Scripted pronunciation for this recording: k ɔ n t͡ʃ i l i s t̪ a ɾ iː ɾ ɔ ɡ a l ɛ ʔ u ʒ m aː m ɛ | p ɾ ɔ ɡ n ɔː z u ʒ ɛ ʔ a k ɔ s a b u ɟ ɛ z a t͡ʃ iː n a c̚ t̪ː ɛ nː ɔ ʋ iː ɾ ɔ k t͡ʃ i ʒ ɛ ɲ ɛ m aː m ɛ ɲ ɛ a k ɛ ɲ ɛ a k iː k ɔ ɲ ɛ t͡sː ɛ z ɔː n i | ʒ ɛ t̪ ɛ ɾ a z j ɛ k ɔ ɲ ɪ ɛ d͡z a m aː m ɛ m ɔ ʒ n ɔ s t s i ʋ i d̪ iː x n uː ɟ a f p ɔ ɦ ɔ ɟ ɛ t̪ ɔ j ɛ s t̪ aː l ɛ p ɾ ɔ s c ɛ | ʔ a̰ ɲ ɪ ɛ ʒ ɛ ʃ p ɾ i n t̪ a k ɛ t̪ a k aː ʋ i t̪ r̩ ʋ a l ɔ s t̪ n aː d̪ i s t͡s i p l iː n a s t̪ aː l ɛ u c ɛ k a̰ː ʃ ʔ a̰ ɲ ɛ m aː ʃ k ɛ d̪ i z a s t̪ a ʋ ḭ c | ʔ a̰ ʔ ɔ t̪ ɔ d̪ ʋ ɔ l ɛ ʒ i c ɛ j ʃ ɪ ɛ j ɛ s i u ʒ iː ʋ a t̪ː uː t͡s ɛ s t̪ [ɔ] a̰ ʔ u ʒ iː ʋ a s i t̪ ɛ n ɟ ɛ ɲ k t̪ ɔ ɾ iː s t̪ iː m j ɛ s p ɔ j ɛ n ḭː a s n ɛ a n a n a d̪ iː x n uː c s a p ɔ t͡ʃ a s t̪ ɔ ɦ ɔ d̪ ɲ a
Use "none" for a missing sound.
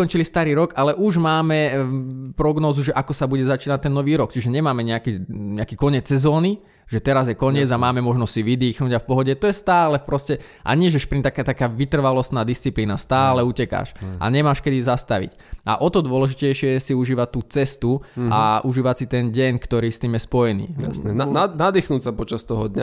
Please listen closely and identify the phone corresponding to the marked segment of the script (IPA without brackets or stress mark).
u